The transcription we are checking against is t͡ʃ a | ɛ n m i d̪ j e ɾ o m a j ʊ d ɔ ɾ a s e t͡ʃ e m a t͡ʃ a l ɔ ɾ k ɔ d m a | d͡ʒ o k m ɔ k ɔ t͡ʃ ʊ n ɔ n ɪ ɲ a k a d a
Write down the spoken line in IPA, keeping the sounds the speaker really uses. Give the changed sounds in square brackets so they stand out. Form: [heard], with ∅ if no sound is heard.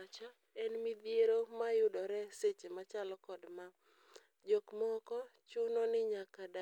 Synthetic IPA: t͡ʃ a | ɛ n m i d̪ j e ɾ o m a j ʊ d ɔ ɾ [ɛ] s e t͡ʃ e m a t͡ʃ a l ɔ [∅] k ɔ d m a | d͡ʒ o k m ɔ k ɔ t͡ʃ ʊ n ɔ n ɪ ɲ a k a d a

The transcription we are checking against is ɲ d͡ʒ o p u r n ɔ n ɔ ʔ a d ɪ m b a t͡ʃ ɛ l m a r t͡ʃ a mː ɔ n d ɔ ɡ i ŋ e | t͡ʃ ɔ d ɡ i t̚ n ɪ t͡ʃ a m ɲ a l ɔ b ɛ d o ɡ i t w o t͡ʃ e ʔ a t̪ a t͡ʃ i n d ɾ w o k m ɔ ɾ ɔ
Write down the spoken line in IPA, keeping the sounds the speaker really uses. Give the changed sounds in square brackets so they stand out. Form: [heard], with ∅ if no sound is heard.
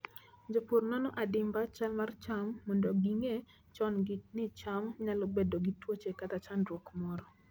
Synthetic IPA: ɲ d͡ʒ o p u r n ɔ n ɔ ʔ a d ɪ m b a t͡ʃ [a] l m a r t͡ʃ a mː ɔ n d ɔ ɡ i ŋ e | t͡ʃ ɔ [n] ɡ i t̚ n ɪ t͡ʃ a m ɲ a l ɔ b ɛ d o ɡ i t w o t͡ʃ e [k] a t̪ a t͡ʃ [a] n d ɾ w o k m ɔ ɾ ɔ

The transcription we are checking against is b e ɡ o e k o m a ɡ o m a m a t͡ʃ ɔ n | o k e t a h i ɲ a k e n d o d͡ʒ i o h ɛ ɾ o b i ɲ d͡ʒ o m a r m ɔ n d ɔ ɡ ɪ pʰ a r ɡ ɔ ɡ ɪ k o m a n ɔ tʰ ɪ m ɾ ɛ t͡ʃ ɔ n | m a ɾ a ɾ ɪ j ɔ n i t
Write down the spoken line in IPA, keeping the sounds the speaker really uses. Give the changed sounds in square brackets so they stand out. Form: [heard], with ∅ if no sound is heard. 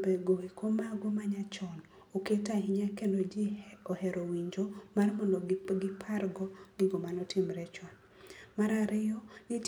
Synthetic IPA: b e ɡ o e k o m a ɡ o m a [ɲ] a t͡ʃ ɔ n | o k e t a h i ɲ a k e n d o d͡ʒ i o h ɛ ɾ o [w] i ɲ d͡ʒ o m a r m ɔ n d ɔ ɡ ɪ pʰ a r ɡ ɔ ɡ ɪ [ɡ] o m a n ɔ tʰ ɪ m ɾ ɛ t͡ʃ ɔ n | m a ɾ a ɾ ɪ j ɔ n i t

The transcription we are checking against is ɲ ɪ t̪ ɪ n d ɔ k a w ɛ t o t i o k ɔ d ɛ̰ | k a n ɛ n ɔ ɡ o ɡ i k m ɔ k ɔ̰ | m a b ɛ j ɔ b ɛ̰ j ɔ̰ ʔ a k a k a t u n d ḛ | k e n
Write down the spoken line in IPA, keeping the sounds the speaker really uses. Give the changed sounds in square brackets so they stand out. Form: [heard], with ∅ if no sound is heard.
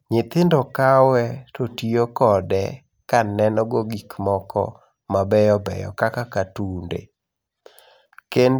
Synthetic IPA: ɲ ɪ t̪ ɪ n d ɔ k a w ɛ t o t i o k ɔ d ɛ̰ | k a n ɛ n ɔ ɡ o ɡ i k m ɔ k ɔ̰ | m a b ɛ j ɔ b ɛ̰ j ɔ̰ [k] a k a k a t u n d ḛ | k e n

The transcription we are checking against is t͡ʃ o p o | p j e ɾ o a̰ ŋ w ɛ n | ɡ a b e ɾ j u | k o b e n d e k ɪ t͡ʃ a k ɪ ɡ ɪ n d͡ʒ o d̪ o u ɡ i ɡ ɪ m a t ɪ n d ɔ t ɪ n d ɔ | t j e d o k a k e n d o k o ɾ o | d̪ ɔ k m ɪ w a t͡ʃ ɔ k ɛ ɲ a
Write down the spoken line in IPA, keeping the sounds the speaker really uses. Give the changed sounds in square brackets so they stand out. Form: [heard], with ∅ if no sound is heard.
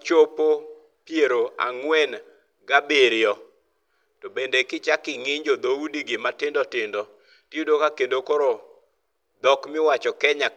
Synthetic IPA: t͡ʃ o p o | p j e ɾ o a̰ ŋ w ɛ n | ɡ a b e ɾ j [ɔ] | [t] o b e n d e k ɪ t͡ʃ a k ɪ [ŋ] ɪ [ɲ] d͡ʒ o d̪ o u [d] i ɡ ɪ m a t ɪ n d ɔ t ɪ n d ɔ | t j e d o k a k e n d o k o ɾ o | d̪ ɔ k m ɪ w a t͡ʃ ɔ k ɛ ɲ a

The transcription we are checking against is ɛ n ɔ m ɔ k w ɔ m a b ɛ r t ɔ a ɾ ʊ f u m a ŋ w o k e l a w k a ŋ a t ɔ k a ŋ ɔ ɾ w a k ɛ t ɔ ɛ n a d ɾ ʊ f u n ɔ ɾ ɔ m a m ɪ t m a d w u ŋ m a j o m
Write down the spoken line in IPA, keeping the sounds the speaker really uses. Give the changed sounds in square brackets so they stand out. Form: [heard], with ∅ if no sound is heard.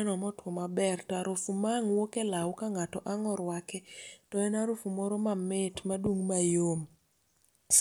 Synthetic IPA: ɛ n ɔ m ɔ [t] w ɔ m a b ɛ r t ɔ a ɾ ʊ f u m a ŋ w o k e l a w k a ŋ a t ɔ [ʔ] a ŋ ɔ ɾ w a k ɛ t ɔ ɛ n a [∅] ɾ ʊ f u [m] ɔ ɾ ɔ m a m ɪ t m a d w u ŋ m a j o m

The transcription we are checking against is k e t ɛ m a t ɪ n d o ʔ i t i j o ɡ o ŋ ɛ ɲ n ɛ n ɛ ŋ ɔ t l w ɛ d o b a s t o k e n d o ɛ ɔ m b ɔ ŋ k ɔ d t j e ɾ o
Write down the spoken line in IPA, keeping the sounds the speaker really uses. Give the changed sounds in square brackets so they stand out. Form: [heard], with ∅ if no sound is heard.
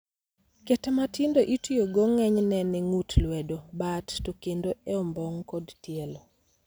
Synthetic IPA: k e t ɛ m a t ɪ n d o ʔ i t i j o ɡ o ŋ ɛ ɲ n ɛ n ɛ ŋ [u] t l w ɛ d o b a [t] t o k e n d o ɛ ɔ m b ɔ ŋ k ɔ d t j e [l] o

